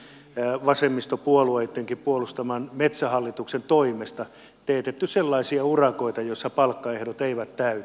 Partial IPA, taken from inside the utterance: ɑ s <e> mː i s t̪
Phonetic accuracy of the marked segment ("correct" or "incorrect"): correct